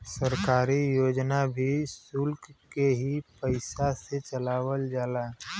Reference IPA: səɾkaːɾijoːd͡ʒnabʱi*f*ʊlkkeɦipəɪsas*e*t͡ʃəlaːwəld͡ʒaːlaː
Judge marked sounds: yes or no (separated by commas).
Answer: no, yes